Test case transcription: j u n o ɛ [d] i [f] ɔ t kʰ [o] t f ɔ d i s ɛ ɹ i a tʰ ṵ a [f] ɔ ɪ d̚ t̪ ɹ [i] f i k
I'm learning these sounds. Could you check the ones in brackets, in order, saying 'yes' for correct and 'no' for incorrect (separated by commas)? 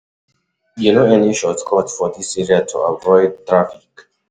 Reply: no, no, no, no, no